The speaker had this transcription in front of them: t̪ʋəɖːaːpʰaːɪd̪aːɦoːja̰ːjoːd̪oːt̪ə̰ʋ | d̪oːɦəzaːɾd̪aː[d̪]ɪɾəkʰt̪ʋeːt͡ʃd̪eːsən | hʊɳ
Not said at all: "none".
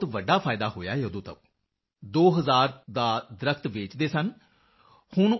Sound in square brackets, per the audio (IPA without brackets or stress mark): d̪